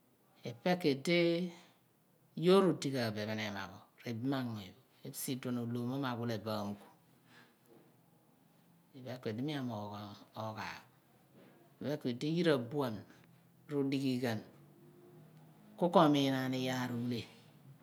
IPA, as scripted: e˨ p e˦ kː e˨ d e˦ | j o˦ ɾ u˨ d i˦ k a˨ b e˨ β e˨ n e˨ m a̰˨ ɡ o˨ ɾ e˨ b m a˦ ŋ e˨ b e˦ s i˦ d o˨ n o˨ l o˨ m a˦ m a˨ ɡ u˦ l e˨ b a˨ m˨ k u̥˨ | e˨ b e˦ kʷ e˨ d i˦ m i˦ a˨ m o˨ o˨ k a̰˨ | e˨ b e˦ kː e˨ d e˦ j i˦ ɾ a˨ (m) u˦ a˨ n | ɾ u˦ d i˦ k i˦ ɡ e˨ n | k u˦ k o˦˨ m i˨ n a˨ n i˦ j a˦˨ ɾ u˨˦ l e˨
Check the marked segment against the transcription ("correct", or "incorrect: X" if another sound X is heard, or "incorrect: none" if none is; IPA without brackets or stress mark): incorrect: b